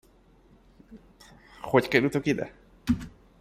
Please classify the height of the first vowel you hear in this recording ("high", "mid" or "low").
mid